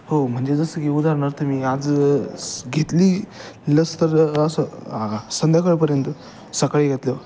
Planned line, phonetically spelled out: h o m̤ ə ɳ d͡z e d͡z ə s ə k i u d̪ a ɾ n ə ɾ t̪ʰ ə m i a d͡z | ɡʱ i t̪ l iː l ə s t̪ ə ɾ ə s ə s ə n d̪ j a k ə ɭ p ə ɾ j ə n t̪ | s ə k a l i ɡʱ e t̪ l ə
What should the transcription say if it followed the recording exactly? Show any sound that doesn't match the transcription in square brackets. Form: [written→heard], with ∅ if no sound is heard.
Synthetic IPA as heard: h o m̤ ə ɳ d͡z e d͡z ə s ə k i u d̪ a ɾ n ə ɾ t̪ʰ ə m i a d͡z | ɡʱ [i→e] t̪ l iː l ə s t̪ ə ɾ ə s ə s ə n d̪ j a k ə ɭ p ə ɾ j ə n t̪ | s ə k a [l→ɭ] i ɡʱ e t̪ l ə